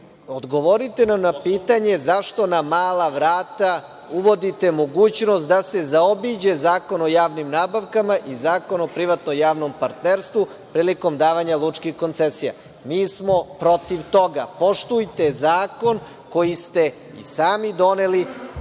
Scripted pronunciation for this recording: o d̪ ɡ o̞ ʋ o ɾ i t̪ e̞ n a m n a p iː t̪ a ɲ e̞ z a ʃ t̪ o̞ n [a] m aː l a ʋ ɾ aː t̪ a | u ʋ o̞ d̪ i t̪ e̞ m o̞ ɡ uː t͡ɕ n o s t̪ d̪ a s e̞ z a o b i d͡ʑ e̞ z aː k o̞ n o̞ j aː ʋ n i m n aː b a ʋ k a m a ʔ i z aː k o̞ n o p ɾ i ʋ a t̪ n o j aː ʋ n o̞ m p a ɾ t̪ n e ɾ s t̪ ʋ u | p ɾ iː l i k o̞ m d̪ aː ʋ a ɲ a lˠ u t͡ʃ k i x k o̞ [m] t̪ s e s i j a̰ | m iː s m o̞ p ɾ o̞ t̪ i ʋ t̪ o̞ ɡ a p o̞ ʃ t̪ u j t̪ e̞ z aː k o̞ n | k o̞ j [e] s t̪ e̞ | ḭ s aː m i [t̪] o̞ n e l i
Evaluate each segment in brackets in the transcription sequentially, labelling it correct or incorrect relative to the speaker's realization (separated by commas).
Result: correct, incorrect, incorrect, incorrect